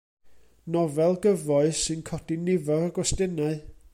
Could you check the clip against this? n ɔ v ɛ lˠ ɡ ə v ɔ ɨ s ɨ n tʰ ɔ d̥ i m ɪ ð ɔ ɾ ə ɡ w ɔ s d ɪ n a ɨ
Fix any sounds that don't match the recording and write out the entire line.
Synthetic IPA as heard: n ɔ v ɛ lˠ ɡ ə v ɔ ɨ s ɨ n kʰ ɔ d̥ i n ɪ v ɔ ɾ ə ɡ w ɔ s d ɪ n a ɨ